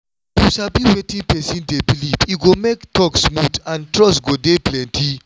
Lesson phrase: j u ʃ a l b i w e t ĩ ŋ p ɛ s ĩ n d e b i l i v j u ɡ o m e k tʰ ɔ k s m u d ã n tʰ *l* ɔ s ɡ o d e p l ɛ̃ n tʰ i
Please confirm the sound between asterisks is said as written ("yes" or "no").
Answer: no